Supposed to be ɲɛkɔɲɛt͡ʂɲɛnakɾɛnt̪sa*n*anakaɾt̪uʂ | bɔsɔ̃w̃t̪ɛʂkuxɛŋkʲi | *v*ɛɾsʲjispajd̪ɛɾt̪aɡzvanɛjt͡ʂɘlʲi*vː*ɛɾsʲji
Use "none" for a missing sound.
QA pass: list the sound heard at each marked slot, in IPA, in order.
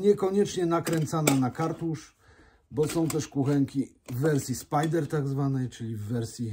n, vː, vː

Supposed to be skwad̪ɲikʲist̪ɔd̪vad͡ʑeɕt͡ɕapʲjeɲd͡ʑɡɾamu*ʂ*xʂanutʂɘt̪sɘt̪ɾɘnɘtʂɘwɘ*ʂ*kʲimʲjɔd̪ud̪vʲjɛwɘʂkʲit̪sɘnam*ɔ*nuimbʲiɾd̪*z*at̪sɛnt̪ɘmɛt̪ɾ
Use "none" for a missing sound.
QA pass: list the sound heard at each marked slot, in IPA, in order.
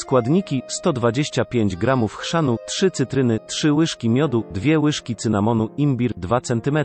f, ʂ, ɔ, v

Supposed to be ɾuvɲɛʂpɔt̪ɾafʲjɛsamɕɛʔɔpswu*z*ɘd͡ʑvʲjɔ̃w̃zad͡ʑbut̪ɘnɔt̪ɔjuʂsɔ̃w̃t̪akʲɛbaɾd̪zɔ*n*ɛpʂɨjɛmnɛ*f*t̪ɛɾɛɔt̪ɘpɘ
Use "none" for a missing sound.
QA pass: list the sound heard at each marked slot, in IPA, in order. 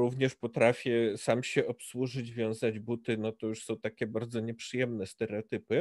ʐ, ɲ, s

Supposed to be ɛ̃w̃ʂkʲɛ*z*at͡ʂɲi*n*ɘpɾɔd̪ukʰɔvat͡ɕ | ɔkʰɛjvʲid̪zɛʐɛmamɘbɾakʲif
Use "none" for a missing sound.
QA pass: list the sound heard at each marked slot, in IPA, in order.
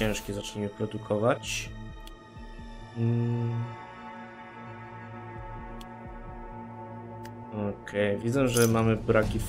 z, m

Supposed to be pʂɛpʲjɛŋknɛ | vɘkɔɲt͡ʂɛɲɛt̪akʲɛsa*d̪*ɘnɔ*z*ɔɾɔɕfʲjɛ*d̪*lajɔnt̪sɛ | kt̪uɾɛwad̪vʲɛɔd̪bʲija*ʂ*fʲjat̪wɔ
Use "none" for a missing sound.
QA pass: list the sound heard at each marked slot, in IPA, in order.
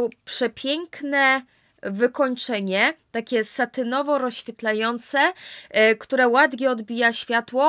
t̪, v, t̪, ɕ

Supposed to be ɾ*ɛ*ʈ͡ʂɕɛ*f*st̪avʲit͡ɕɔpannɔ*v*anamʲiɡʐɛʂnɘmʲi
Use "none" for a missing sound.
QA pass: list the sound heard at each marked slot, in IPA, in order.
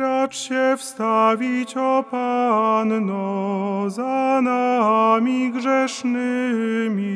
a, f, z

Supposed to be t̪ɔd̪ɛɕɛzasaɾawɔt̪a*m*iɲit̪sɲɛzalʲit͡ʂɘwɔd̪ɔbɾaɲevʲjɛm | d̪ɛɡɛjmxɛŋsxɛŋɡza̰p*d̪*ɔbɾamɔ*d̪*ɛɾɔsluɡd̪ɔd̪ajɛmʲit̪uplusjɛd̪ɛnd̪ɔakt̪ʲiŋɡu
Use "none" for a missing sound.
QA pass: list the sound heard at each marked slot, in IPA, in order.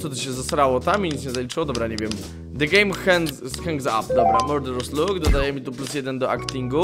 m, d̪, d̪

